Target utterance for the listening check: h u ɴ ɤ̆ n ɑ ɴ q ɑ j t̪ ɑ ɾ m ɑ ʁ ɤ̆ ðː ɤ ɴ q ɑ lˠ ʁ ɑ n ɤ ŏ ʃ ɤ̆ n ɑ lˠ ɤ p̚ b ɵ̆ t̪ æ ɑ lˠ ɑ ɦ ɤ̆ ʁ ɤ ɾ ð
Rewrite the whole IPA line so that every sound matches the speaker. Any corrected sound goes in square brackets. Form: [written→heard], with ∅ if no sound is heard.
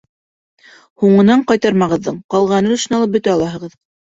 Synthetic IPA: h u ɴ ɤ̆ n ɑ ɴ q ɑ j t̪ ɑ ɾ m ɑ ʁ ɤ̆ ðː ɤ ɴ q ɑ lˠ ʁ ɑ n ɤ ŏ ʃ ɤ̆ n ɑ lˠ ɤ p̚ b ɵ̆ t̪ æ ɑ lˠ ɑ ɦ ɤ̆ ʁ ɤ [ɾ→∅] ð

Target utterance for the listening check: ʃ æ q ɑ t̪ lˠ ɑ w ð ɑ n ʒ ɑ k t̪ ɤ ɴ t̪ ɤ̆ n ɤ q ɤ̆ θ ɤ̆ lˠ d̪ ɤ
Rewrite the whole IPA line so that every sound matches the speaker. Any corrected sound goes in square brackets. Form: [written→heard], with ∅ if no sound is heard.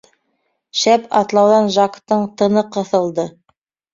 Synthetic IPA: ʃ æ [q→p] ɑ t̪ lˠ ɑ w ð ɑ n ʒ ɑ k t̪ ɤ ɴ t̪ ɤ̆ n ɤ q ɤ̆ θ ɤ̆ lˠ d̪ ɤ

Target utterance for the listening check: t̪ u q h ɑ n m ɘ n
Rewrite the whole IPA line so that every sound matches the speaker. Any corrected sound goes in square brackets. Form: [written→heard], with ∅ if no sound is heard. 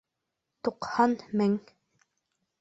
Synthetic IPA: t̪ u q h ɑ n m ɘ [n→ŋ]

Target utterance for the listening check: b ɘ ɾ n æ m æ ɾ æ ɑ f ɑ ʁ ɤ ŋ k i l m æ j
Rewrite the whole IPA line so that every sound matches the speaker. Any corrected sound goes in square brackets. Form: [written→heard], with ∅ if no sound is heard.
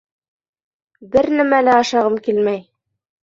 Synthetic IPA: b ɘ ɾ n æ m æ [ɾ→l] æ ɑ [f→ʃ] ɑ ʁ ɤ [ŋ→m] k i l m æ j

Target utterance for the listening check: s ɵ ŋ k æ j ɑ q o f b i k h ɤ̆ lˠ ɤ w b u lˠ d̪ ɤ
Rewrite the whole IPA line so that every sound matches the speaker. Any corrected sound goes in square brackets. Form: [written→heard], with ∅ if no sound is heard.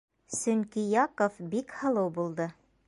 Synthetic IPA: s ɵ ŋ k [æ→i] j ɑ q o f b i k h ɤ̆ lˠ ɤ w b u lˠ d̪ ɤ

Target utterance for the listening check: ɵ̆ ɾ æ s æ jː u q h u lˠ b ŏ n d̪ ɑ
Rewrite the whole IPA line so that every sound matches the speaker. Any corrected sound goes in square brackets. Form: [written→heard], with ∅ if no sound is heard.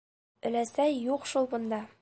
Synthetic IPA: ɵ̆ [ɾ→l] æ s æ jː u q [h→ʃ] u lˠ b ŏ n d̪ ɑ

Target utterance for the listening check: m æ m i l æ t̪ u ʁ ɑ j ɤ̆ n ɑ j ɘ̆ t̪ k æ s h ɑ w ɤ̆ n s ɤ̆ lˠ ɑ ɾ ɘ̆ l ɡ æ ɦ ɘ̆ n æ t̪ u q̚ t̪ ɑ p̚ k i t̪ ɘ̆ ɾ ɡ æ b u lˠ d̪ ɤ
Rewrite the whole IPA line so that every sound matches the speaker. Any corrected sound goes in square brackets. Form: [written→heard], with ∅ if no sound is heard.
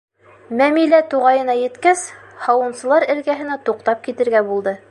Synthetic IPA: m æ m i l æ t̪ u ʁ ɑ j ɤ̆ n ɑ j ɘ̆ t̪ k æ s h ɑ w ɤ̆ n s ɤ̆ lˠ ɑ ɾ ɘ̆ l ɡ æ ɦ ɘ̆ n æ t̪ u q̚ t̪ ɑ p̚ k i t̪ ɘ̆ ɾ ɡ æ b u lˠ d̪ ɤ

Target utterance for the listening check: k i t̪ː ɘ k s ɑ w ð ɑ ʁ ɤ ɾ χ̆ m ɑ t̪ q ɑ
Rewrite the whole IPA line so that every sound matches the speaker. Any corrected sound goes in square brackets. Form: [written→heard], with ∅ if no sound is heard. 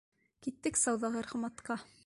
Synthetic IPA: k i t̪ː ɘ k s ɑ w ð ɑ ʁ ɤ ɾ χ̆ m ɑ t̪ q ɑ

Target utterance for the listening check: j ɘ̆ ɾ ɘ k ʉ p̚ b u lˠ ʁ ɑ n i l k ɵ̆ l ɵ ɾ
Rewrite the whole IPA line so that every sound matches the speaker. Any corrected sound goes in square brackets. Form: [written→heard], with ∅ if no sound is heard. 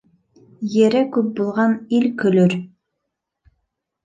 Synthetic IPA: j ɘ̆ ɾ ɘ k ʉ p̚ b u lˠ ʁ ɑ n i l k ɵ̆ l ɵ ɾ

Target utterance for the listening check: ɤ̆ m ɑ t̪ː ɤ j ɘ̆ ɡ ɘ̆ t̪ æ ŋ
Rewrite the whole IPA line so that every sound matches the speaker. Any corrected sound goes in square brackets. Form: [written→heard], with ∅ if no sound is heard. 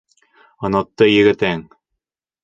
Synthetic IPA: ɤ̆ [m→n] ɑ t̪ː ɤ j ɘ̆ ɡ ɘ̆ t̪ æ ŋ

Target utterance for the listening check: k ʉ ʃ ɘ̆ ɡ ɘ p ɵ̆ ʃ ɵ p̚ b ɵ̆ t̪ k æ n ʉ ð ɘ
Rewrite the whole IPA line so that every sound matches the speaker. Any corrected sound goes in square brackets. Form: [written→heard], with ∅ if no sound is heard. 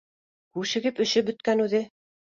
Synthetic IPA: k ʉ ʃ ɘ̆ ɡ ɘ p ɵ̆ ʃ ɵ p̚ b ɵ̆ t̪ k æ n ʉ ð ɘ

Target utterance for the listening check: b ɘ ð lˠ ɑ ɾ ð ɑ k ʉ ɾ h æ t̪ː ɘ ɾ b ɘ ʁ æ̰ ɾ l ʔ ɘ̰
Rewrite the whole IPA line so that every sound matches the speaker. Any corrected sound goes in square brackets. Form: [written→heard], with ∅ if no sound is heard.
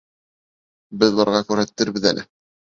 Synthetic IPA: b ɘ ð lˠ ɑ ɾ [ð→ʁ] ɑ k ʉ ɾ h æ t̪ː ɘ ɾ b ɘ [ʁ→ð] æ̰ [ɾ→∅] l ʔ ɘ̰

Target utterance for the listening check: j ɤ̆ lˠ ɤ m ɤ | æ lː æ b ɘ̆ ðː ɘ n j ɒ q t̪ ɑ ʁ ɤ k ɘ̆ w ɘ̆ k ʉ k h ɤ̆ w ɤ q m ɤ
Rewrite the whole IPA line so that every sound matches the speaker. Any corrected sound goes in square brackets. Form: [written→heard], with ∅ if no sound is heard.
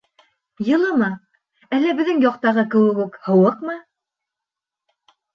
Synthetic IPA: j ɤ̆ lˠ ɤ m ɤ | æ lː æ b ɘ̆ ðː ɘ [n→ŋ] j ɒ q t̪ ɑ ʁ ɤ k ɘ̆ w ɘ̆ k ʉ k h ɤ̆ w ɤ q m ɤ

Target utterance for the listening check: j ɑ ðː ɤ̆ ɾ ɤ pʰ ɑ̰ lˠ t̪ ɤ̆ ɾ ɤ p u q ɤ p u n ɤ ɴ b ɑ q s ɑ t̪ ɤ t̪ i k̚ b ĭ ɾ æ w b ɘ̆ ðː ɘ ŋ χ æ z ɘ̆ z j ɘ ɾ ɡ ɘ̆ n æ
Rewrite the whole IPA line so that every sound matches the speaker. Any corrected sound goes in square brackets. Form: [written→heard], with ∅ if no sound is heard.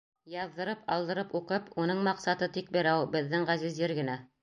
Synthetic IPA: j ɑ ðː ɤ̆ ɾ ɤ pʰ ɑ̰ lˠ [t̪→d̪] ɤ̆ ɾ ɤ p u q ɤ p u n ɤ ɴ [b→m] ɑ q s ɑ t̪ ɤ t̪ i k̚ b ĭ ɾ æ w b ɘ̆ ðː ɘ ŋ [χ→ʁ] æ z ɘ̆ z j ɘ ɾ ɡ ɘ̆ n æ

